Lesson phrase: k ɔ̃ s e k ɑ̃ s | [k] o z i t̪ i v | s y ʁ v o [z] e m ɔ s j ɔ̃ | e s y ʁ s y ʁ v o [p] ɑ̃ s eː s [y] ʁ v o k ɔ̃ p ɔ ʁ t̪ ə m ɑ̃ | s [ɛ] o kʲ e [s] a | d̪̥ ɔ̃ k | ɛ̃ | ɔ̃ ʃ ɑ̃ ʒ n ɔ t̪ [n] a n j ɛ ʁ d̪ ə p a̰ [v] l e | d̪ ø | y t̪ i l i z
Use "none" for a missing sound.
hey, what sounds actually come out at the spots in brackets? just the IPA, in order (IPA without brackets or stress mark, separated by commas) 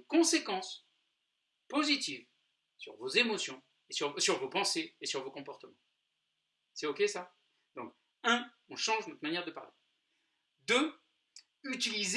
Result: p, z, p, y, ɛ, s, m, ʁ